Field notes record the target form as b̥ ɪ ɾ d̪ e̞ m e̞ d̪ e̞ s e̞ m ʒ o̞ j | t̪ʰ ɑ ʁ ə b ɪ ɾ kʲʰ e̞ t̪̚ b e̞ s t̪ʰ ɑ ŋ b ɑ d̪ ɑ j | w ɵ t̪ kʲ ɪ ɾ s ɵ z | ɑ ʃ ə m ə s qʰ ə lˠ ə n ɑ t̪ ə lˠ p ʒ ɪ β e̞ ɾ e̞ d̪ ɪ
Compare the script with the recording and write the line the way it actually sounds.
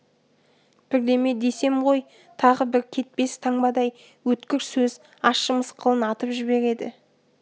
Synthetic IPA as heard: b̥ ɪ ɾ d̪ e̞ m e̞ d̪ e̞ s e̞ m ʁ o̞ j | t̪ʰ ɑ ʁ ə b ɪ ɾ kʲʰ e̞ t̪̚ p e̞ s t̪ʰ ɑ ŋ b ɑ d̪ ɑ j | w ɵ t̪ kʲ ɪ ɾ s ɵ z | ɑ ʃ ə m ə s qʰ ə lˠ ə n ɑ t̪ ə p ʒ ɪ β e̞ ɾ e̞ d̪ ɪ